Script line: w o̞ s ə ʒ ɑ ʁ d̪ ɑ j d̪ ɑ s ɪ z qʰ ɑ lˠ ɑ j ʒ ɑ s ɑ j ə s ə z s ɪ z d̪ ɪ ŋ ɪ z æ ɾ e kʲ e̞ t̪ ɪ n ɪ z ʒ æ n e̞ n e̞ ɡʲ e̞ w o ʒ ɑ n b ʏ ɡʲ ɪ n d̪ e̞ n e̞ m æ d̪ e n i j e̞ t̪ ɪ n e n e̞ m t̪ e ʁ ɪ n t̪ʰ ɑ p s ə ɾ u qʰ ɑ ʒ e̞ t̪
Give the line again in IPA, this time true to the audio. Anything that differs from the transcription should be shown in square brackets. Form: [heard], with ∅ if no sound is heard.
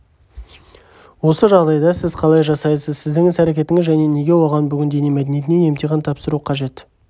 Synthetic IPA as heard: w o̞ s ə ʒ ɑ ʁ d̪ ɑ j d̪ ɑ s ɪ z qʰ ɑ lˠ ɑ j ʒ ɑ s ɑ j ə s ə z s ɪ z d̪ ɪ ŋ ɪ z æ ɾ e kʲ e̞ t̪ ɪ [ŋ] ɪ z ʒ æ n e̞ n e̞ ɡʲ e̞ w o [ʁ] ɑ n b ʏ ɡʲ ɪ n d̪ e̞ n e̞ m æ d̪ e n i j e̞ t̪ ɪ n e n e̞ m t̪ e ʁ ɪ n t̪ʰ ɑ p s ə ɾ u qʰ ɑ ʒ e̞ t̪